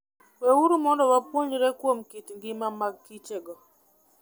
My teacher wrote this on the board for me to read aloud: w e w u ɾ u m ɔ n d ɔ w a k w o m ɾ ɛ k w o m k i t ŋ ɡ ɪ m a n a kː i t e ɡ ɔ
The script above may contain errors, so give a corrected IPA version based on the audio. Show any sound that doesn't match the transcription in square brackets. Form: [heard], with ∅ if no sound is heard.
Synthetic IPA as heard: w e w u ɾ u m ɔ n d ɔ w a [p] w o [ɲ] ɾ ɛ k w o m k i t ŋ ɡ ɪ m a [m] a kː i [t͡ʃ] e ɡ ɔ